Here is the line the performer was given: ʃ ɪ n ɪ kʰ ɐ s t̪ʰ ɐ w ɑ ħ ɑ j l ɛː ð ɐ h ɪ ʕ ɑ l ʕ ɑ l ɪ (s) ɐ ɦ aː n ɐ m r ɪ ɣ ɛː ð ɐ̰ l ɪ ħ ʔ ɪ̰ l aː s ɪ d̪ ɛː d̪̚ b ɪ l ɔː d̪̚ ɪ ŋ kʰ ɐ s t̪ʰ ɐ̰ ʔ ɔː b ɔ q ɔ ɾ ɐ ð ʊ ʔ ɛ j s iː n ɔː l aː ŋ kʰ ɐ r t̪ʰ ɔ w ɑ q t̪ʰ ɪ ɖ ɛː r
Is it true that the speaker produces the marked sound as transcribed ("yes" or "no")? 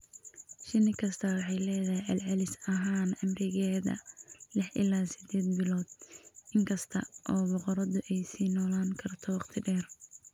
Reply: yes